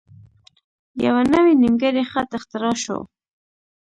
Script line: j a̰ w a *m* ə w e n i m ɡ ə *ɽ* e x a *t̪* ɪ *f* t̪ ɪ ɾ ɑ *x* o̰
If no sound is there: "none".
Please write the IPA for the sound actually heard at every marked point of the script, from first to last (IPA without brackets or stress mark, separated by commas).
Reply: n, ɾ, t̪, x, ʃ